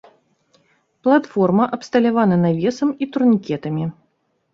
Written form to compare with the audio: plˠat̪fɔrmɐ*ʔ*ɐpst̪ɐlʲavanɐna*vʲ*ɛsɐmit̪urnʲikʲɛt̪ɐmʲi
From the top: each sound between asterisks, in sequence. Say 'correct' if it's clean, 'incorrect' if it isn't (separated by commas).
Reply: correct, correct